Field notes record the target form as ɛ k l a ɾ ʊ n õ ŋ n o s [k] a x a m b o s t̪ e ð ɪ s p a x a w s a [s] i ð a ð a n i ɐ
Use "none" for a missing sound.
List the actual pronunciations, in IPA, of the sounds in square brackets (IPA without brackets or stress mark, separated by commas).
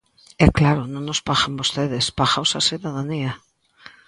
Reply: p, s